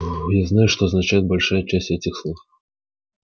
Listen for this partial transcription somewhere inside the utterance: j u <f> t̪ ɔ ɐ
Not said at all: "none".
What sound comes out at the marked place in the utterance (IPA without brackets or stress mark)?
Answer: ʂ